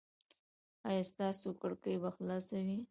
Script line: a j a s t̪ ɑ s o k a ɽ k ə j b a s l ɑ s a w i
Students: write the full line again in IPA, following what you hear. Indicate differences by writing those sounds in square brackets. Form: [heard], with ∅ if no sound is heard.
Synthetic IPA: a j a s t̪ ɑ s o k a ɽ k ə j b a [x] l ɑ s a w i

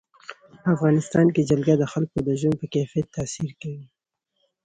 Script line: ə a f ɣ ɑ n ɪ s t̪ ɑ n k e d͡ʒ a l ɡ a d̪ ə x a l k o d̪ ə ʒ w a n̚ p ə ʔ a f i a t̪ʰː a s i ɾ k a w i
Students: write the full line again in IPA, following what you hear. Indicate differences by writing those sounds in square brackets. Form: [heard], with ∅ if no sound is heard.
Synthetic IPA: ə a f ɣ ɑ n ɪ s t̪ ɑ n k e d͡ʒ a l ɡ a d̪ ə x a l k o d̪ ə ʒ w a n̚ p ə [k] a f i a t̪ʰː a s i ɾ k a w i

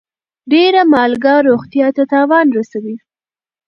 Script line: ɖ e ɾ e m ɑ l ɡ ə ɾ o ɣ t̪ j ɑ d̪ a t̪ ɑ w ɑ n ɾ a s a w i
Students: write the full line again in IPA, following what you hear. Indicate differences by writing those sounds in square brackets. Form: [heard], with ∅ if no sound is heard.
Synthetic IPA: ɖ e ɾ [a] m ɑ l ɡ [ɑ] ɾ o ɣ t̪ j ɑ [t̪] a t̪ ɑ w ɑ n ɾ a s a w i

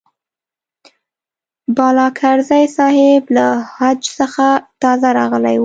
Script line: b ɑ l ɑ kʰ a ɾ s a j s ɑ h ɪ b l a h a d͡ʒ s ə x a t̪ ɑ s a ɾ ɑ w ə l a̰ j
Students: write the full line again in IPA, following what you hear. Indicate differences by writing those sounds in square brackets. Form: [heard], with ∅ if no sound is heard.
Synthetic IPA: b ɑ l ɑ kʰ a ɾ [z] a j s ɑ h ɪ b l a h a d͡ʒ s ə x a t̪ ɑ [z] a ɾ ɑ [ɣ] ə l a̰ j

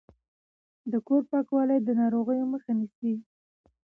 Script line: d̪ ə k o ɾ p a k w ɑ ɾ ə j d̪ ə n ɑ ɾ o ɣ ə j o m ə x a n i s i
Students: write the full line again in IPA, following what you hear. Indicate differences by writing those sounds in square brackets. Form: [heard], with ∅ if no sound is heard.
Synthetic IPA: d̪ ə k o ɾ p [ɑ] k w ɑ [l] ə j d̪ ə n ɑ ɾ o ɣ ə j o m ə x a n i s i

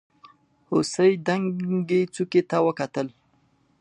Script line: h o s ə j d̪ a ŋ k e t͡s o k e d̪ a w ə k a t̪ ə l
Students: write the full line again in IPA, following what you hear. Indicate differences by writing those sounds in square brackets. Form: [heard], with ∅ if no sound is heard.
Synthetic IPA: h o s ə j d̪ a ŋ [ɡ] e t͡s [u] k e [t̪] a w ə k a t̪ ə l

